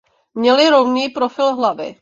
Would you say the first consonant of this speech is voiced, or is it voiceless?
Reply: voiced